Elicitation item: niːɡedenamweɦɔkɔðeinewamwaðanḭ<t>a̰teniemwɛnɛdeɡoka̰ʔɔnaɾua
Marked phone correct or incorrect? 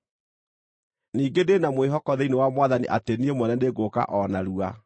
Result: incorrect